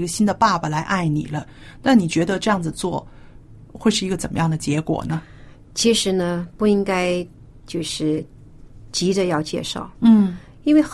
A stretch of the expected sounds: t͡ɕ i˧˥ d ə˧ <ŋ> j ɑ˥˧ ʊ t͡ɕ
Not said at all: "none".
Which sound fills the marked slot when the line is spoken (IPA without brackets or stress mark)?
none